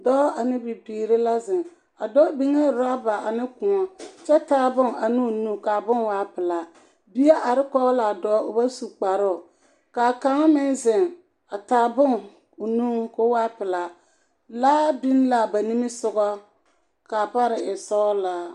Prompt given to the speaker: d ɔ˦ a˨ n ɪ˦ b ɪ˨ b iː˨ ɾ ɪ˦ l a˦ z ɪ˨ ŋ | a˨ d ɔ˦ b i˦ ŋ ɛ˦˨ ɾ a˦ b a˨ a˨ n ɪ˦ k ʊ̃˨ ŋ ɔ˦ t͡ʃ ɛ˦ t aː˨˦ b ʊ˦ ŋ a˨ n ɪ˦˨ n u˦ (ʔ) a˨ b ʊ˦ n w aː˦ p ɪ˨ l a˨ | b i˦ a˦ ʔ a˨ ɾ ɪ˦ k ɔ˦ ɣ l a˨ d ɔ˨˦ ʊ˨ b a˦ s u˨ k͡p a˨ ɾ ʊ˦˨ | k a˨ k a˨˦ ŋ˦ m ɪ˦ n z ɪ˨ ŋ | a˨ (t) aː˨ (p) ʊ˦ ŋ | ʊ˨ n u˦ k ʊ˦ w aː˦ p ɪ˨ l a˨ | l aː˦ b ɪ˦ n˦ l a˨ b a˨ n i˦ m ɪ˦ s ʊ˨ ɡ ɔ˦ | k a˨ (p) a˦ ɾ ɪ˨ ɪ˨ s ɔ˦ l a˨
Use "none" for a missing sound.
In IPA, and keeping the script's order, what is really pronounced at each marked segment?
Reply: k, t, b, p

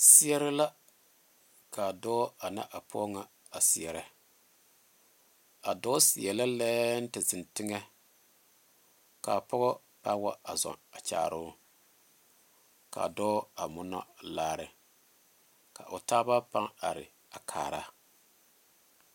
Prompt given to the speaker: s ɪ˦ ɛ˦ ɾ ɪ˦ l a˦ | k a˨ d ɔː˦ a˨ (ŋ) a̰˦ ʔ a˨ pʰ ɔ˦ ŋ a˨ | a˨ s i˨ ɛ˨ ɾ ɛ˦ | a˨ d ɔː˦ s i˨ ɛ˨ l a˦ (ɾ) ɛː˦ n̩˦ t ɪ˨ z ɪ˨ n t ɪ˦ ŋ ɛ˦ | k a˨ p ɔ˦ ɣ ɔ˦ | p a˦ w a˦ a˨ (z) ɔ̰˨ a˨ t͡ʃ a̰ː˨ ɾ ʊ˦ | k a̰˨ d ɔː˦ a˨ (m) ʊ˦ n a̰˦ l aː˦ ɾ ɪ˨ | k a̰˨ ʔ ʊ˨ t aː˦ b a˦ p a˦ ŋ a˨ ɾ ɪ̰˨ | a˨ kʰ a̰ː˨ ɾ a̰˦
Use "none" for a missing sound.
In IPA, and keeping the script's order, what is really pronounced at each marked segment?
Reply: n, l, z, m

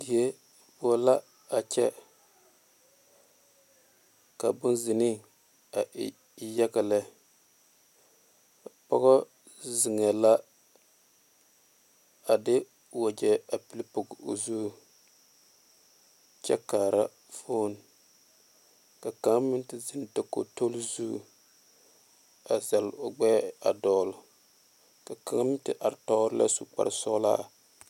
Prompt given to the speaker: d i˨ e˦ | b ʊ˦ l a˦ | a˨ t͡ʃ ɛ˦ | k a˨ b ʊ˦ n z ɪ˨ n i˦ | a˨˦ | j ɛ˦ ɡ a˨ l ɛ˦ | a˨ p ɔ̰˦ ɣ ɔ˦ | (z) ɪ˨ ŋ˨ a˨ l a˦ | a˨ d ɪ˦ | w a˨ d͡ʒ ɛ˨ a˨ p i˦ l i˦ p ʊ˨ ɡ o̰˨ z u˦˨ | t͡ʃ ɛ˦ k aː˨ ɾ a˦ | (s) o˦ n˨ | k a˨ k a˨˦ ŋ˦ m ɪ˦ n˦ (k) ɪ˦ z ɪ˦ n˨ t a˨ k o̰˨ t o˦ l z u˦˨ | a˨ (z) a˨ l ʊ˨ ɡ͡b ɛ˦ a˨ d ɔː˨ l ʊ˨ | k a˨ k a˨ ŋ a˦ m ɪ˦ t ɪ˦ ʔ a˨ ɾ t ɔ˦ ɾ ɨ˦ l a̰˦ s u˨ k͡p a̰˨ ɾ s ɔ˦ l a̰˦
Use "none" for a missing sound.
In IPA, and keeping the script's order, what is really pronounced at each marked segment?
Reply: z, f, t, z

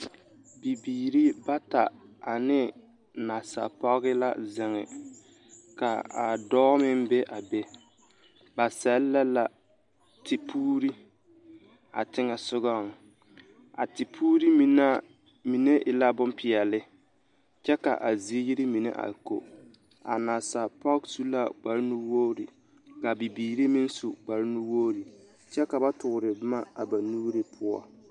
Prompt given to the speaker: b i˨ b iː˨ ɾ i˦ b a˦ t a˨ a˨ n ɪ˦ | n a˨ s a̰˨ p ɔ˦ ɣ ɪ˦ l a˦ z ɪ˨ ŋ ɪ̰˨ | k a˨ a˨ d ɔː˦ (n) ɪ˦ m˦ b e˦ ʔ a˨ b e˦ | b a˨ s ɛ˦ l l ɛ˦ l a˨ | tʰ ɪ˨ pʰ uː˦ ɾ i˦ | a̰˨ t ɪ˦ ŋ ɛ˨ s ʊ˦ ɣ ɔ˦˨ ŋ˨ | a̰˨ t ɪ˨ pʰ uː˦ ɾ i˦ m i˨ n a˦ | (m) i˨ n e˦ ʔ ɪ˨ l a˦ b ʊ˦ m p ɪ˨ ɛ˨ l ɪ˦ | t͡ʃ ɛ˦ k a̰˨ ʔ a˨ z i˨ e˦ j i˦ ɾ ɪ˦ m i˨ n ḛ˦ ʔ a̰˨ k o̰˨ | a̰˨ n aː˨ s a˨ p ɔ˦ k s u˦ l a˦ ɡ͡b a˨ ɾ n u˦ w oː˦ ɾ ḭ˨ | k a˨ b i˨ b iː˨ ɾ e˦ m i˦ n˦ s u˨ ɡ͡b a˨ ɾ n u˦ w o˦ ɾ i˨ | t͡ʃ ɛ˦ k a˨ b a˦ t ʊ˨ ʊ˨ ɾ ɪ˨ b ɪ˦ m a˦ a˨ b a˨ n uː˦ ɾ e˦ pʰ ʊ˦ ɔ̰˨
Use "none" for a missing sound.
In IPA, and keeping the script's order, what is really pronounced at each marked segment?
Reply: m, m

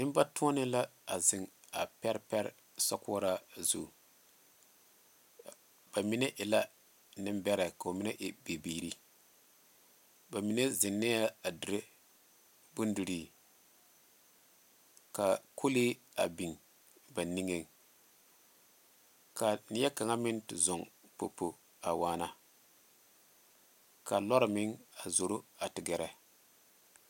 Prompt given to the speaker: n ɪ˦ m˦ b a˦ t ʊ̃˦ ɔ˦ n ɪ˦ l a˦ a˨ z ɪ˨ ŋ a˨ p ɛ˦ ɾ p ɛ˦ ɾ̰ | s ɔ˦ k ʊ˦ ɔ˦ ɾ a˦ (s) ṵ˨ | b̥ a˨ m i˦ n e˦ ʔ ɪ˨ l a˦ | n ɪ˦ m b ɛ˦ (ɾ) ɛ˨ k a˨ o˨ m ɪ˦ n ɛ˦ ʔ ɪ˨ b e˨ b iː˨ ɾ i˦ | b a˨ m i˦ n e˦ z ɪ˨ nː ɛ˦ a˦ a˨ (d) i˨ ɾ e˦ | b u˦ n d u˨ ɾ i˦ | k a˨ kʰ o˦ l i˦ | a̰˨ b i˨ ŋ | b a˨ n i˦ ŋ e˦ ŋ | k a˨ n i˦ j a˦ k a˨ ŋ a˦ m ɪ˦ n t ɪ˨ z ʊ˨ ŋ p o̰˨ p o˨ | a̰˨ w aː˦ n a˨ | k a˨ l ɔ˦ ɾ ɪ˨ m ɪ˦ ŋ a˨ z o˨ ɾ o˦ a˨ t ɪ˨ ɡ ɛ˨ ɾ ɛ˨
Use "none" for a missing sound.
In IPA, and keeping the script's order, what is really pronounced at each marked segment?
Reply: z, ɾ, d

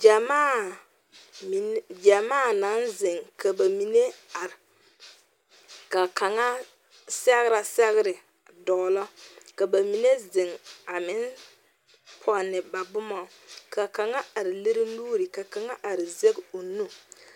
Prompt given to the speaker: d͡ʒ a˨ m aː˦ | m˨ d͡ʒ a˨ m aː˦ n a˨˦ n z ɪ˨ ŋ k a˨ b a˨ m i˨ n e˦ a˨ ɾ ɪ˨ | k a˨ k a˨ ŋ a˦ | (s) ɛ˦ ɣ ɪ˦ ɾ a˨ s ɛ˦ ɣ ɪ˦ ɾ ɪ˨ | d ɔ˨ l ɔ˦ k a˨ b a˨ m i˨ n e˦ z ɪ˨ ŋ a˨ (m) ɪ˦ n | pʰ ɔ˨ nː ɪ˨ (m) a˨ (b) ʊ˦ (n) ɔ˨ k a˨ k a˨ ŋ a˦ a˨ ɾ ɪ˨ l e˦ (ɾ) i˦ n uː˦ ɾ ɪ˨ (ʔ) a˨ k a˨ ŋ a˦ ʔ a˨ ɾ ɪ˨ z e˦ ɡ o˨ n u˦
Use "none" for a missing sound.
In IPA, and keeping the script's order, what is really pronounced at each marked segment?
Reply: s, m, b, b, m, ɾ, k

